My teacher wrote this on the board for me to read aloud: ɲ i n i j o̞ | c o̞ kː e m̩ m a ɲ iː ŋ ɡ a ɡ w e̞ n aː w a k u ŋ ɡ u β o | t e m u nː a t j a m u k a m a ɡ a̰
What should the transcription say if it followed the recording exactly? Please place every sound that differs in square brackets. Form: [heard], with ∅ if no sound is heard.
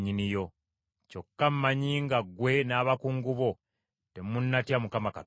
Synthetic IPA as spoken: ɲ i n i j o̞ | c o̞ kː [a] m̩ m a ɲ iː ŋ ɡ a ɡ w e̞ n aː [β] a k u ŋ ɡ u β o | t e m u nː a t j a m u k a m a [k] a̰